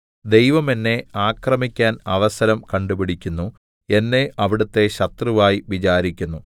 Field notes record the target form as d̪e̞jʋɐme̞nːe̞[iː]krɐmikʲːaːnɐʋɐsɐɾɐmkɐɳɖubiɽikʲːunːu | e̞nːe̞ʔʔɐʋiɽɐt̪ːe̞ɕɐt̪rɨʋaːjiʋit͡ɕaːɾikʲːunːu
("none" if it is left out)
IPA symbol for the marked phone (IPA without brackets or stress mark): aː